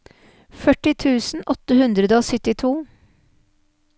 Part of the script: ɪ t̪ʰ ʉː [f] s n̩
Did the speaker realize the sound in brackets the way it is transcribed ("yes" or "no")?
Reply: no